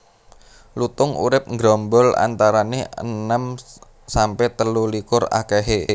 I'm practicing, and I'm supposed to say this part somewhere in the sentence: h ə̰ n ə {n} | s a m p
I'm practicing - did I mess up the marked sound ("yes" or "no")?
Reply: yes